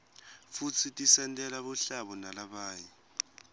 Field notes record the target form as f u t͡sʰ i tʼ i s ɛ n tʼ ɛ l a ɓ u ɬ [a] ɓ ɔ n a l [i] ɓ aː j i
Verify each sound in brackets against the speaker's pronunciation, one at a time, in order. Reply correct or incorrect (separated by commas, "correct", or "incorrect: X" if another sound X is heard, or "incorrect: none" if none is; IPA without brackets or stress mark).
correct, incorrect: a